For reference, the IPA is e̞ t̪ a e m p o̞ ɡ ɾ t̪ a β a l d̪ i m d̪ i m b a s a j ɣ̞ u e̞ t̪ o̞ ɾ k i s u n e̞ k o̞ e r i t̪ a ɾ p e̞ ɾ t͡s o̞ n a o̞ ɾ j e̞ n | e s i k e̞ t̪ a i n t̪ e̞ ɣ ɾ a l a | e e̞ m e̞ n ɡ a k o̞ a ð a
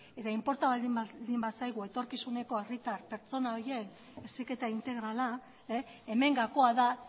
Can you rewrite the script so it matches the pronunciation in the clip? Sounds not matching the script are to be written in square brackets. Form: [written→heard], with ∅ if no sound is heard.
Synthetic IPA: e̞ t̪ a [e→i] m p o̞ [ɡ→∅] ɾ t̪ a β a l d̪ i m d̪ i m b a s a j ɣ̞ u e̞ t̪ o̞ ɾ k i s u n e̞ k o̞ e r i t̪ a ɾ p e̞ ɾ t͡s o̞ n a o̞ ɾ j e̞ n | e s i k e̞ t̪ a i n t̪ e̞ ɣ ɾ a l a | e e̞ m e̞ [n→ŋ] ɡ a k o̞ a ð a